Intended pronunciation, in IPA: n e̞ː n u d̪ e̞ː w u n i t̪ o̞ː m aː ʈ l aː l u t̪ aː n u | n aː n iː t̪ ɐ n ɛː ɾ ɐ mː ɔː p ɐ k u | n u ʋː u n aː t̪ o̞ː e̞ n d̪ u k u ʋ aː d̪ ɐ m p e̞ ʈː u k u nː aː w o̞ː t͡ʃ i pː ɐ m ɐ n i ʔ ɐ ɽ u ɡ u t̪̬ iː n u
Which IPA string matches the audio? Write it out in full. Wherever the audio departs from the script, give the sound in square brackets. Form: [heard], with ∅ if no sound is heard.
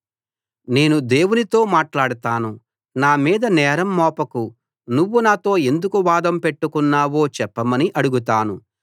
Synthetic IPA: n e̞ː n u d̪ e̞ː w u n i t̪ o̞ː m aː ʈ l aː [ɽ] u t̪ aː n u | n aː [m] iː [d̪] ɐ n ɛː ɾ ɐ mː ɔː p ɐ k u | n u ʋː u n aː t̪ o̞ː e̞ n d̪ u k u ʋ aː d̪ ɐ m p e̞ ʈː u k u nː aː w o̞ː t͡ʃ [ɛ] pː ɐ m ɐ n i ʔ ɐ ɽ u ɡ u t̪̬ [aː] n u